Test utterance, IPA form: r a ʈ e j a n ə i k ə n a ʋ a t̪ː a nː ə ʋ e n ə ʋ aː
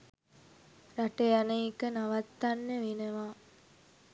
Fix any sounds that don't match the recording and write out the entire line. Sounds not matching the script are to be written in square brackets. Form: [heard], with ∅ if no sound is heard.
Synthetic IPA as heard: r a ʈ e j a n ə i k ə n a ʋ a t̪ː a nː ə ʋ e n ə ʋ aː